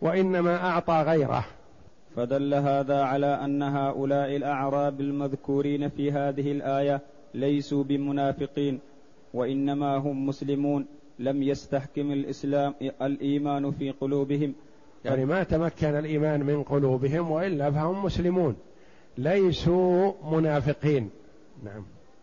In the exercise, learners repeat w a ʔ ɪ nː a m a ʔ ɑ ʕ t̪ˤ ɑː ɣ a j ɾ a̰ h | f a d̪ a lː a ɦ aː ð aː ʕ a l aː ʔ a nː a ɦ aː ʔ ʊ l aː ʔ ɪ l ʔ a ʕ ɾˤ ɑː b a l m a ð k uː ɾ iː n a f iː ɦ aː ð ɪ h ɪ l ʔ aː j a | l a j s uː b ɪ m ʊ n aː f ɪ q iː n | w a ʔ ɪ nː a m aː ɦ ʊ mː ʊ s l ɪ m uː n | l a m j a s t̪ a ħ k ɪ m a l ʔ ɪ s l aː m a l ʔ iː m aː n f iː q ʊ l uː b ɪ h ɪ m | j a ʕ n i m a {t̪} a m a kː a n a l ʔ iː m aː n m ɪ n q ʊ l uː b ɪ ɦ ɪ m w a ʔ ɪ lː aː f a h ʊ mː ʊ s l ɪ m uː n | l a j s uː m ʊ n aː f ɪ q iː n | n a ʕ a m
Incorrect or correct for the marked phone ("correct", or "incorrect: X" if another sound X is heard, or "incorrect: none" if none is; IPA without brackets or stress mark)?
correct